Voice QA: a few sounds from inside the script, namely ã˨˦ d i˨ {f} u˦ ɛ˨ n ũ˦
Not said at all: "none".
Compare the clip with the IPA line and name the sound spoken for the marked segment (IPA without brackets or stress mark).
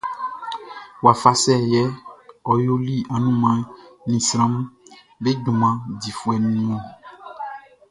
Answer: f